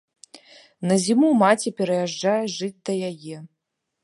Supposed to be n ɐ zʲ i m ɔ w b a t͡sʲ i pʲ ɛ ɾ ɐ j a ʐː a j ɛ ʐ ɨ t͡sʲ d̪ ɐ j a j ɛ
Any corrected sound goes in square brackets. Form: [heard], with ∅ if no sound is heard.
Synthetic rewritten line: n ɐ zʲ i m [u] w [m] a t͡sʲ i pʲ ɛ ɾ ɐ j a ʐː a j ɛ ʐ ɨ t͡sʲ d̪ ɐ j a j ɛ